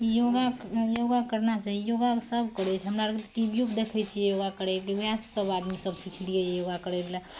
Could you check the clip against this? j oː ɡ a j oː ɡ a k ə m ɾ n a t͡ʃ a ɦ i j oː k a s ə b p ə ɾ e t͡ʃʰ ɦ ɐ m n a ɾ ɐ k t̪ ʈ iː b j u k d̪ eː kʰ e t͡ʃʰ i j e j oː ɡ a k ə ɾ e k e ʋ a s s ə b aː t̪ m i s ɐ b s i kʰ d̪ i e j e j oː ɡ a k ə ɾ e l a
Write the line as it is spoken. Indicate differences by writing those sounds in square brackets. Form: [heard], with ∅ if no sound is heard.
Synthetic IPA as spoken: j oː ɡ a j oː ɡ a k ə [∅] ɾ n a t͡ʃ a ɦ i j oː [ɡ] a s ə b [k] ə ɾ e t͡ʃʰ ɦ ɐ m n a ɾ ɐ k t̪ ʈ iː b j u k d̪ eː kʰ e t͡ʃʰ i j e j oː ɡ a k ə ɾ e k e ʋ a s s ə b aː [d̪] m i s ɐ b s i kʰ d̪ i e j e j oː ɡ a k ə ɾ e l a